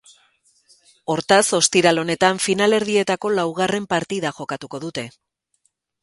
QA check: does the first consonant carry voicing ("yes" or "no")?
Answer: yes